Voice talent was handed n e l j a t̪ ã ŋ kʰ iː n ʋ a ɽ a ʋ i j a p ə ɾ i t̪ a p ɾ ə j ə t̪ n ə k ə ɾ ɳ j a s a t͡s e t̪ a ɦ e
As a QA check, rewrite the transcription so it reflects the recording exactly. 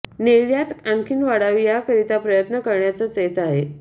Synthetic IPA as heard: n e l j a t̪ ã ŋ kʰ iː n ʋ a ɽ a ʋ i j a k ə ɾ i t̪ a p ɾ ə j ə t̪ n ə k ə ɾ ɳ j a t͡s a t͡s e t̪ a ɦ e